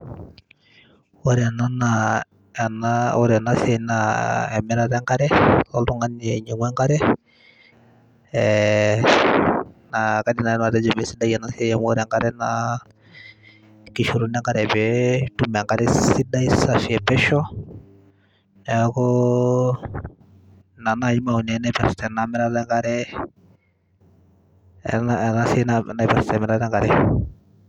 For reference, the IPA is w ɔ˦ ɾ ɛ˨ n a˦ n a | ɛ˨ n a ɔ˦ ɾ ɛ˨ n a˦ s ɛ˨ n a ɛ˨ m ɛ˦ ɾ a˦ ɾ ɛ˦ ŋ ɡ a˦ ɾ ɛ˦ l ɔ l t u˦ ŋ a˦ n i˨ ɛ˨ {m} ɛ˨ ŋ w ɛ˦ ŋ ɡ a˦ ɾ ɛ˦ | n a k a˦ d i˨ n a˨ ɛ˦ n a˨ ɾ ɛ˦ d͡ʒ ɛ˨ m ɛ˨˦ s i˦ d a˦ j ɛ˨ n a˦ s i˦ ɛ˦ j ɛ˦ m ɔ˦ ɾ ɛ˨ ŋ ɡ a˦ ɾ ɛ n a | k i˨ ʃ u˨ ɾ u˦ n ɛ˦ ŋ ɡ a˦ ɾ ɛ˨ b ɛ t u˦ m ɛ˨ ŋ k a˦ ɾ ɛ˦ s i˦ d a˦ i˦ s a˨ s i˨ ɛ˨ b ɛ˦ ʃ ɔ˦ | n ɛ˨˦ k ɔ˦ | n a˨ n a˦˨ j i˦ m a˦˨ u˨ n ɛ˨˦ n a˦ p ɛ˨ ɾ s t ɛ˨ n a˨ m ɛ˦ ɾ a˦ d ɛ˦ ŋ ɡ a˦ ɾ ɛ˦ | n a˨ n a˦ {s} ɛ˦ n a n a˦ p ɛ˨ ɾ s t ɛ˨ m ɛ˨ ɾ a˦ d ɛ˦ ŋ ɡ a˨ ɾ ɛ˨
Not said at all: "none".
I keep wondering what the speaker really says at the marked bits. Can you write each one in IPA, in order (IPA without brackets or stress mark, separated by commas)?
ɲ, s